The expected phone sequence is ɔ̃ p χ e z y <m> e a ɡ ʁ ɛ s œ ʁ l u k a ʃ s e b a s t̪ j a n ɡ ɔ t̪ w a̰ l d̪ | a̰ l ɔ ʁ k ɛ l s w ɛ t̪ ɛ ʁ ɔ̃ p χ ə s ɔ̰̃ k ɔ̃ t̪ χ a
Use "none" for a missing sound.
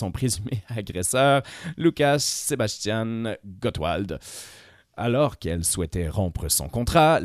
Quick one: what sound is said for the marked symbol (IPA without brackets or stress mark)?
m